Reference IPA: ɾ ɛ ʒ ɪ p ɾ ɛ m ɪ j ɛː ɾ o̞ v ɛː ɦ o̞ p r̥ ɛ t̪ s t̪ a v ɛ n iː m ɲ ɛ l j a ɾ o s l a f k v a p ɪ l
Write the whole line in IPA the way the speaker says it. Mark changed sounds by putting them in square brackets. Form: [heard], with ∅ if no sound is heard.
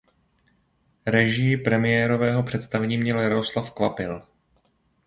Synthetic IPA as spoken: ɾ ɛ ʒ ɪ p ɾ ɛ m ɪ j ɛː ɾ o̞ v ɛː ɦ o̞ p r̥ ɛ t̪ s t̪ a v ɛ [ɲ] iː m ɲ ɛ l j a ɾ o s l a f k v a p ɪ l